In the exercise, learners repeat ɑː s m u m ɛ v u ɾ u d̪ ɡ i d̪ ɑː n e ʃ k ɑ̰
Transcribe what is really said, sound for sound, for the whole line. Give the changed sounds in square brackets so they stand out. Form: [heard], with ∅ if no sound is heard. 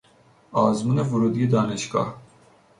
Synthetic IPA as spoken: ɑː [z] m u [n] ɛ v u ɾ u d̪ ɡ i d̪ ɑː n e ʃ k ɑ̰